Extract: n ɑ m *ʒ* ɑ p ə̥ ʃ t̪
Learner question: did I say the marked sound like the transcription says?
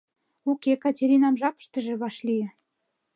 yes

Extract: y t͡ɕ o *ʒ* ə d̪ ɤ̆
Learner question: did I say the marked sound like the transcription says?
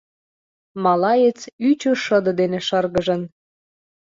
no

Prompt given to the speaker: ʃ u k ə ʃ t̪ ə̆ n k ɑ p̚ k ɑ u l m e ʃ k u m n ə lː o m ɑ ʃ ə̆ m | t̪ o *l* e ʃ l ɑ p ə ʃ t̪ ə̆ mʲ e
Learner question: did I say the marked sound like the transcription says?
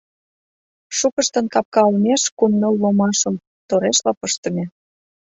no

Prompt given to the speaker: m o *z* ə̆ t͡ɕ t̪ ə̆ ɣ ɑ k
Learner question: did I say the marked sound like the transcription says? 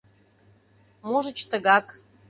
no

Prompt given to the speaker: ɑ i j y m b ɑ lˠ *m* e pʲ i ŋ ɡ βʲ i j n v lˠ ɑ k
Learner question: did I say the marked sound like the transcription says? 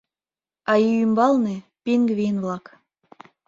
no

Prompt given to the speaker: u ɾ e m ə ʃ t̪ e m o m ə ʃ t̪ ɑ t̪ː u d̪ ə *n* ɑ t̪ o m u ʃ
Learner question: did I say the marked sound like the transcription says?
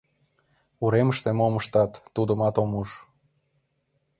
no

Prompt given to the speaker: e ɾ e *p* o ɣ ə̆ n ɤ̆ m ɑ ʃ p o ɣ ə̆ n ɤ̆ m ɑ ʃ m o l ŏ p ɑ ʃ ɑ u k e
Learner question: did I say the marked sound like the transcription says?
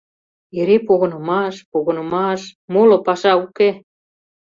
yes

